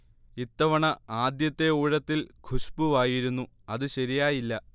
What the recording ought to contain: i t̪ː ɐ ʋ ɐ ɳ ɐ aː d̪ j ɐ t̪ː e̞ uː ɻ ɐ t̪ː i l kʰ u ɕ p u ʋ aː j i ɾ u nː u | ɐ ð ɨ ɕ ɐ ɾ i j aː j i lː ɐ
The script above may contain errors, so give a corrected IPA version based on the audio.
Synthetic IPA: i t̪ː ɐ ʋ ɐ ɳ ɐ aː d̪ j ɐ t̪ː e̞ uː ɻ ɐ t̪ː i l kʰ u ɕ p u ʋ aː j i ɾ u nː u | ɐ ð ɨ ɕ ɐ ɾ i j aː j i lː ɐ